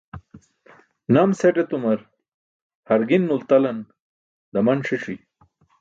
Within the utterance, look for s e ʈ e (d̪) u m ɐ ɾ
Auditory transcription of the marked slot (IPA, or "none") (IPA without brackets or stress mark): t̪